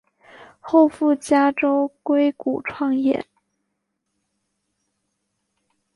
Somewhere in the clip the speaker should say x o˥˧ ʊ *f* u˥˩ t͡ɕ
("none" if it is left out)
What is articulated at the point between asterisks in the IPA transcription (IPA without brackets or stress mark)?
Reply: f